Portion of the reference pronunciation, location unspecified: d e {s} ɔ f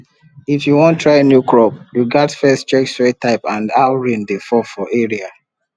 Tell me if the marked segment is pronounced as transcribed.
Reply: no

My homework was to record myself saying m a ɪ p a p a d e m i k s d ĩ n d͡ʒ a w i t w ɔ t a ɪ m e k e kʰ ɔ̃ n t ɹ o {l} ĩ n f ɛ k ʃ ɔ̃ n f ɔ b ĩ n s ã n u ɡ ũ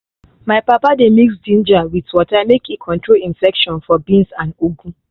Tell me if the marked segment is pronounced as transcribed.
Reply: yes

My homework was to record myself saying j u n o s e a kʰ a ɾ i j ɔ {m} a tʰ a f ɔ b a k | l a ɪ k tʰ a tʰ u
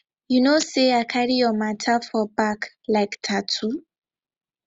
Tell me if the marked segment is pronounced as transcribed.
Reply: yes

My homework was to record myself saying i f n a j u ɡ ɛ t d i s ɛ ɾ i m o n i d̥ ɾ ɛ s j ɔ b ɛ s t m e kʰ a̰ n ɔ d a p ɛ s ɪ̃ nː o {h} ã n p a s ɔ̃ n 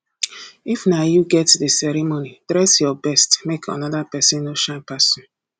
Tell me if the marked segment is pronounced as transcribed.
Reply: no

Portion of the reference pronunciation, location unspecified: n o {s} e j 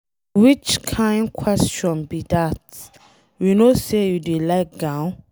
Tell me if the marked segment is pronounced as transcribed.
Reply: yes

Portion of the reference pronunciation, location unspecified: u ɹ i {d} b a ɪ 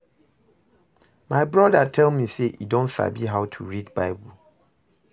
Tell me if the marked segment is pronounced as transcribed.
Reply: yes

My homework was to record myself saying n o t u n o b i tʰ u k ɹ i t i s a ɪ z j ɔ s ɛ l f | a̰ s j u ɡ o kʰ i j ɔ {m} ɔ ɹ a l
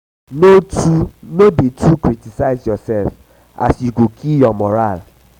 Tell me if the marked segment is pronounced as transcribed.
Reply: yes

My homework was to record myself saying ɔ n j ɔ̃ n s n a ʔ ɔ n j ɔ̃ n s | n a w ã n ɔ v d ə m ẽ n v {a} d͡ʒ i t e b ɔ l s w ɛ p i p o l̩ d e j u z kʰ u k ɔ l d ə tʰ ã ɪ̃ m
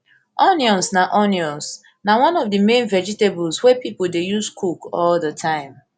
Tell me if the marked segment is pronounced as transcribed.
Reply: no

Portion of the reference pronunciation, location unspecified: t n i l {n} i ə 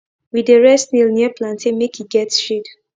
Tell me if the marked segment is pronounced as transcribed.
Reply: yes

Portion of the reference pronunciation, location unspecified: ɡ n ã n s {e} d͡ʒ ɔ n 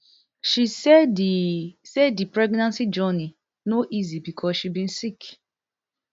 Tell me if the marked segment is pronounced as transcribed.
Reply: no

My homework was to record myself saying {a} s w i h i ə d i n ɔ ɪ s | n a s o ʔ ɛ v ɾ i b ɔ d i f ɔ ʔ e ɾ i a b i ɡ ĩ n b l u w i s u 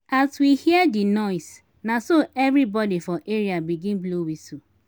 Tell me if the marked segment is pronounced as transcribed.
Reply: yes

